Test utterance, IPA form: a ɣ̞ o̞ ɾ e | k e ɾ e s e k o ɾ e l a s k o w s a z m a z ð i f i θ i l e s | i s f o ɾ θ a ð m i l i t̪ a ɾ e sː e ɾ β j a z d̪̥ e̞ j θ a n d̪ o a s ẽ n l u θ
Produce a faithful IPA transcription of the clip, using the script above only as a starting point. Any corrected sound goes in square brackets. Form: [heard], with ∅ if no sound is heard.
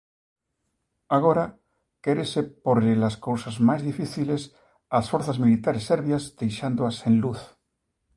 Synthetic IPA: a ɣ̞ o̞ ɾ [a] | k e ɾ e s e [p] o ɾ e l a s k o w s a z m a z ð i f i θ i l e s | [a] s f o ɾ θ a [z] m i l i t̪ a ɾ e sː e ɾ β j a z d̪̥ e̞ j [ʃ] a n d̪ o a s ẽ n l u θ